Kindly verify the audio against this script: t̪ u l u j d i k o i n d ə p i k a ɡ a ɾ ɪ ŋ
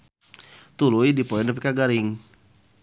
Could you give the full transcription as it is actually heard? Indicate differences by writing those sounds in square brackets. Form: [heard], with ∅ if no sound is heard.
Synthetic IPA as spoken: t̪ u l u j d i [p] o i n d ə p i k a ɡ a ɾ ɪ ŋ

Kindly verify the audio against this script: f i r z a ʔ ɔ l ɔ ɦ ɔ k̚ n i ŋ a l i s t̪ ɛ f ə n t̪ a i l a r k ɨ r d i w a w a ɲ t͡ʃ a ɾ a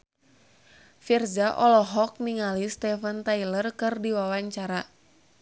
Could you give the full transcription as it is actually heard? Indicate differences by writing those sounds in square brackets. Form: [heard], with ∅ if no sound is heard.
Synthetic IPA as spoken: f i r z a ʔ ɔ l ɔ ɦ ɔ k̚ n i ŋ a l i s t̪ ɛ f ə n t̪ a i l [ə] r k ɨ r d i w a w a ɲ t͡ʃ a ɾ a

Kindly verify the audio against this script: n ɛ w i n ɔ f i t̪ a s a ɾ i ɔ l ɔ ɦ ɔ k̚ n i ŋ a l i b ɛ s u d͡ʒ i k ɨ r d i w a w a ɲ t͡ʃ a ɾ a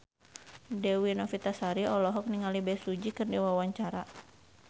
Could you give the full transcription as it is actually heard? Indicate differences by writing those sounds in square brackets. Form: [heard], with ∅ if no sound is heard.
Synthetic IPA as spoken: [d] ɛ w i n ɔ f i t̪ a s a ɾ i ɔ l ɔ ɦ ɔ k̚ n i ŋ a l i b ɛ s u d͡ʒ i k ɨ r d i w a w a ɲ t͡ʃ a ɾ a

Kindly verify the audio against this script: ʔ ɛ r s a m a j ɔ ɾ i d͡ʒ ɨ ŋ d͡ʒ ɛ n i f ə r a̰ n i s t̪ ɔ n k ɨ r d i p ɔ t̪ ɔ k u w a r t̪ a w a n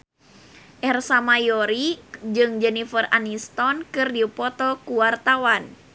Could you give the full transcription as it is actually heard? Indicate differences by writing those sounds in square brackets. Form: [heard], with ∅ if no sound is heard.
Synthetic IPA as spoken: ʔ ɛ r s a m a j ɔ ɾ i d͡ʒ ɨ ŋ d͡ʒ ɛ n i f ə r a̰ n i s t̪ ɔ n k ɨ r d i p ɔ t̪ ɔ k u w a r t̪ a w a n

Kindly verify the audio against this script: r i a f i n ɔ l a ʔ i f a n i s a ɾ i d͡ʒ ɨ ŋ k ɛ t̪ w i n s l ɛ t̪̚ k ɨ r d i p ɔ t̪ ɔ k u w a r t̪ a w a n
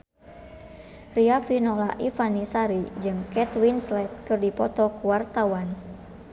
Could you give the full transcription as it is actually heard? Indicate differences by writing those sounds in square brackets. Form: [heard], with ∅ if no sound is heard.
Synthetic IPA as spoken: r i a f i n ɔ l a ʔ i f a n i s a ɾ i d͡ʒ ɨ ŋ k ɛ t̪ w i n s l ɛ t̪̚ k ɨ r d i p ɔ t̪ ɔ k u w a r t̪ a w a n

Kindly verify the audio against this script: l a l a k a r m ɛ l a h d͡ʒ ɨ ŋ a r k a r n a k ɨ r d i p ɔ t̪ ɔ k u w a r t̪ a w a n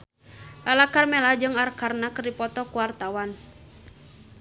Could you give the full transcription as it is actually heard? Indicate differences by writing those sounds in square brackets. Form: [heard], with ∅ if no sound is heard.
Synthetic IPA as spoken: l a l a k a r m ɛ l a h d͡ʒ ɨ ŋ a r k a r n a k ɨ r d i p ɔ t̪ ɔ k u w a r t̪ a w a n

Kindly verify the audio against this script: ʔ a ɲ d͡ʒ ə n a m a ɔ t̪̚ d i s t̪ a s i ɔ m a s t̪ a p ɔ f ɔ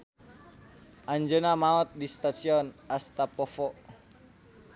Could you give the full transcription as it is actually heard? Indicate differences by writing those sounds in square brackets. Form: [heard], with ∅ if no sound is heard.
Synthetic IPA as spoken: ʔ a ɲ d͡ʒ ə n a m a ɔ t̪̚ d i s t̪ a s i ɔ [n] a s t̪ a p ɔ f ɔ

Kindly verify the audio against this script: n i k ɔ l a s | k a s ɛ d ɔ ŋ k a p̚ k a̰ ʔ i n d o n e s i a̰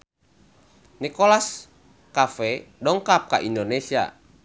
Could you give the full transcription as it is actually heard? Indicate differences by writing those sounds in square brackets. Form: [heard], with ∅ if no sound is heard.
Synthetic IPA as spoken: n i k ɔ l a s | k a [f] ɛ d ɔ ŋ k a p̚ k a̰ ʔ i n d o n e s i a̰

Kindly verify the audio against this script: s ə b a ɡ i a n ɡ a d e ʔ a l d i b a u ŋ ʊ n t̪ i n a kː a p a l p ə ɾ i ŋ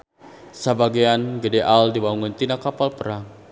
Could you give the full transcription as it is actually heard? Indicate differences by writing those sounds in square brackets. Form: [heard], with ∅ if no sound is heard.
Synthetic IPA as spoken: s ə b a ɡ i a n ɡ [ə] d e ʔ a l d i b a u ŋ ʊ n t̪ i n a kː a p a l p ə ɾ [a] ŋ

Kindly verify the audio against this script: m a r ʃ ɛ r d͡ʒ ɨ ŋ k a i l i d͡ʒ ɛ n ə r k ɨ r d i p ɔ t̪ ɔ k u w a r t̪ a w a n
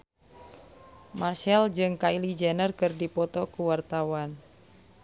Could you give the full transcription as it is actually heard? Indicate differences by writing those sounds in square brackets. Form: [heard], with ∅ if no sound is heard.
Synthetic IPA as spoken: m a r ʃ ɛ [l] d͡ʒ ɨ ŋ k a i l i d͡ʒ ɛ n ə r k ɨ r d i p ɔ t̪ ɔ k u w a r t̪ a w a n

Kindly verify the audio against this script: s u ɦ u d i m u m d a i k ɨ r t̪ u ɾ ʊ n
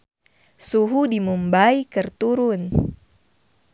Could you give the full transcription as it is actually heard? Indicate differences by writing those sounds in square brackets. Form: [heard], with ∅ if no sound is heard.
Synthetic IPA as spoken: s u ɦ u d i m u m [b] a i k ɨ r t̪ u ɾ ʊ n

